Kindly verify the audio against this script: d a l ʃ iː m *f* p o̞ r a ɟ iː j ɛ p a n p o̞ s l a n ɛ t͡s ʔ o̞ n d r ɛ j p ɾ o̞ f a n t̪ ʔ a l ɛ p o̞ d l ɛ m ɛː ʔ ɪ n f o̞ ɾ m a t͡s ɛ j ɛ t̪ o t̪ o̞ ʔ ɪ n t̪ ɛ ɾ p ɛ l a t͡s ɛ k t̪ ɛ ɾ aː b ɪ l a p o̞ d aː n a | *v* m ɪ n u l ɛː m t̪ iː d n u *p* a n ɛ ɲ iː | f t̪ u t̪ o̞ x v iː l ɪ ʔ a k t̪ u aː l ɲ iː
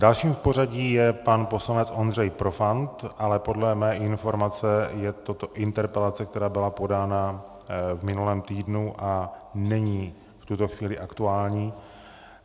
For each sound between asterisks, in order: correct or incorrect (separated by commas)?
correct, correct, incorrect